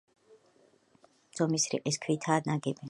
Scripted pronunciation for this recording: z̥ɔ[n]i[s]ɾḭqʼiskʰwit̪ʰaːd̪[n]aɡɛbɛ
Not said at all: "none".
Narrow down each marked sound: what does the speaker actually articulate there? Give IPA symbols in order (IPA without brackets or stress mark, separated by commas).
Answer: m, s, n